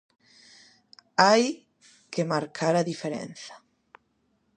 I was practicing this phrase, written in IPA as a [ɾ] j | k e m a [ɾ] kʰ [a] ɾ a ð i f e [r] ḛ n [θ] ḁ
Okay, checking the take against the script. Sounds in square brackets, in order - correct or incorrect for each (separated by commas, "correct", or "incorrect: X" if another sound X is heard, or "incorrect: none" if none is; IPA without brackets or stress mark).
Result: incorrect: none, correct, correct, incorrect: ɾ, correct